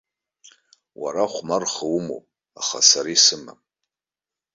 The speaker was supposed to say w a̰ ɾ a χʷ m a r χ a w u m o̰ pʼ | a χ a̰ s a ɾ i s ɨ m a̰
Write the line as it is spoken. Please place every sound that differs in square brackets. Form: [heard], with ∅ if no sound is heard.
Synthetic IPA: w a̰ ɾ a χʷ m a r χ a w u m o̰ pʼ | a χ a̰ s a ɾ i s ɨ m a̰